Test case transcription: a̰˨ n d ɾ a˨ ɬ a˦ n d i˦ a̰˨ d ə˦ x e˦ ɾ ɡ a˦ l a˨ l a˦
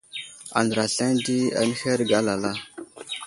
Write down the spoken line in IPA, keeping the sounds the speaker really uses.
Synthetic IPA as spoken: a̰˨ n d ɾ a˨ ɬ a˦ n d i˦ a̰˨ n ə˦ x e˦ ɾ ɡ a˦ l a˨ l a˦